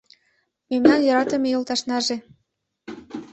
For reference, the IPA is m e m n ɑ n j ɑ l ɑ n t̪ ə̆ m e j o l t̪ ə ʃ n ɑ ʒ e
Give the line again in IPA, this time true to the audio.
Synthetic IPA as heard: m e m n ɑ n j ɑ ɾ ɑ t̪ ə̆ m e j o l t̪ ɑ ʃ n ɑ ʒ e